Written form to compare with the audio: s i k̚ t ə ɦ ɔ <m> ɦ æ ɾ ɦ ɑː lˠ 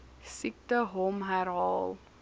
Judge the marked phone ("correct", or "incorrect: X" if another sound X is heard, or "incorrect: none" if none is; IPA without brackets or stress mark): correct